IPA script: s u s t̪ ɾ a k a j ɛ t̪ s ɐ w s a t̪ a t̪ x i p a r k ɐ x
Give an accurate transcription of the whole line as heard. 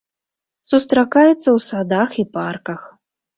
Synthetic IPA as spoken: s u s t̪ ɾ a k a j ɛ t̪ sː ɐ w s a d̪ a x i p a r k ɐ x